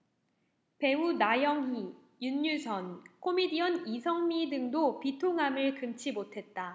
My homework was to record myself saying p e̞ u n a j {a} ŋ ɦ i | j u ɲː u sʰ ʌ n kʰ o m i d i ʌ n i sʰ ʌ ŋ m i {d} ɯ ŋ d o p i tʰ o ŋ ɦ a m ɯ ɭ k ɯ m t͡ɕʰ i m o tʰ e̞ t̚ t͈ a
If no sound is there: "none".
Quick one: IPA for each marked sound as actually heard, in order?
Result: ʌ, d

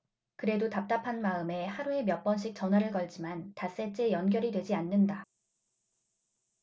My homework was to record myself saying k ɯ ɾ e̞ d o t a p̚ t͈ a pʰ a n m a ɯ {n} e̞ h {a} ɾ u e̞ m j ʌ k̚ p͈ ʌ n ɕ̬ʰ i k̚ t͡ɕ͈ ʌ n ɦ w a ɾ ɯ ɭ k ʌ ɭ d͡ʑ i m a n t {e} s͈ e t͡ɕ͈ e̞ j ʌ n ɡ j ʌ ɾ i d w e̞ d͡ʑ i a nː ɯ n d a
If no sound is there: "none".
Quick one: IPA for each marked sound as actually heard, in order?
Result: m, a, a

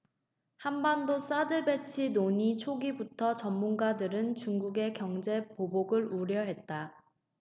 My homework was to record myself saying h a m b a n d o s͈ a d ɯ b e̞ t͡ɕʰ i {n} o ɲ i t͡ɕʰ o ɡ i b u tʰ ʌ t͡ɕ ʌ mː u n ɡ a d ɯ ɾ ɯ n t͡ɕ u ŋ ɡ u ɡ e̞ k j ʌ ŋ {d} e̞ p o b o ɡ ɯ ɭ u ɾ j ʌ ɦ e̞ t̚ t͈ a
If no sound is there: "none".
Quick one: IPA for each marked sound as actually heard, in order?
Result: n, d͡ʑ

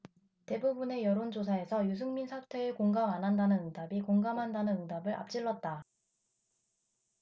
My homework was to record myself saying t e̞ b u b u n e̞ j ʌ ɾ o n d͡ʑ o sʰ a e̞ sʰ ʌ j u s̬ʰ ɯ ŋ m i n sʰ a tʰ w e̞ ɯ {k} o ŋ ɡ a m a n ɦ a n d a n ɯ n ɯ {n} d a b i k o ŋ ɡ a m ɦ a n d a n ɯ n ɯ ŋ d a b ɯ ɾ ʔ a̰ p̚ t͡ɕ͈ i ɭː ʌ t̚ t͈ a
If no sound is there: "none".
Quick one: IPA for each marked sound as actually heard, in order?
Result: k, ŋ

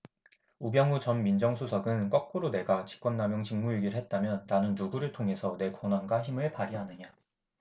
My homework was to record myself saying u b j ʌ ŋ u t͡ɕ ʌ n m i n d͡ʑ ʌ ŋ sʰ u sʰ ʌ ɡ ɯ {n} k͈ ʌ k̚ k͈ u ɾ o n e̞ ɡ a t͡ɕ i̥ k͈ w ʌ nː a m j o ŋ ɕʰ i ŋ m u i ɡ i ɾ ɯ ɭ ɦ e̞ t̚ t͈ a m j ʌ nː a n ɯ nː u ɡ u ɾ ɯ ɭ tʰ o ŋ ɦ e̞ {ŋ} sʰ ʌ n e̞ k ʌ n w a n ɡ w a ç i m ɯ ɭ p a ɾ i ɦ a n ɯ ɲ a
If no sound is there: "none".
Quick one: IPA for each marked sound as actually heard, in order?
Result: n, none

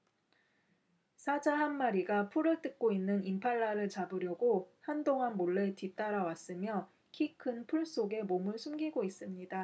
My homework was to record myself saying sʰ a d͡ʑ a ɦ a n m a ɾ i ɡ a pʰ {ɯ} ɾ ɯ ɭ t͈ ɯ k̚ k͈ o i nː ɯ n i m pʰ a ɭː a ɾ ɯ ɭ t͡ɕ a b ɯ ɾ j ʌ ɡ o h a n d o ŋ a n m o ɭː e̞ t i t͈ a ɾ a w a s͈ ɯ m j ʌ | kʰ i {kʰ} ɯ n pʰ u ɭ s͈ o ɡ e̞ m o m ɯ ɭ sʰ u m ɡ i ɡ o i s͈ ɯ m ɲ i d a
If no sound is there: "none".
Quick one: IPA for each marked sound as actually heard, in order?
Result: u, kʰ

